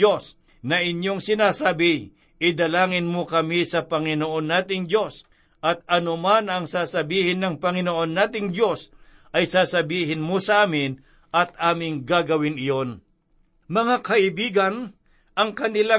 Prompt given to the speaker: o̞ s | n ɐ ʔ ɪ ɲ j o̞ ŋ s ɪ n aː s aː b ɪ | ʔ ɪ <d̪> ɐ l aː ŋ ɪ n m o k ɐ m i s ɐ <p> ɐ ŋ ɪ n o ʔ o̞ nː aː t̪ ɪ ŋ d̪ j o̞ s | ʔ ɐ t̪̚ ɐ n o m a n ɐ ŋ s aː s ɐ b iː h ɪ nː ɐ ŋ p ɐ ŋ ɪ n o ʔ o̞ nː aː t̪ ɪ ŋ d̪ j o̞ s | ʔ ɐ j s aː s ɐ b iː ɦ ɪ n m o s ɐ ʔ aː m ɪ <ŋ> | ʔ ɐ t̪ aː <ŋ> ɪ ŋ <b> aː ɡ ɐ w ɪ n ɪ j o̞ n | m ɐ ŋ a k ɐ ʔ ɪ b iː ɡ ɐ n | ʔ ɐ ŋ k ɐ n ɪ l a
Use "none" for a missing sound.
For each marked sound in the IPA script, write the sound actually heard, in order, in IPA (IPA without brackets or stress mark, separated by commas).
d̪, p, n, m, ɡ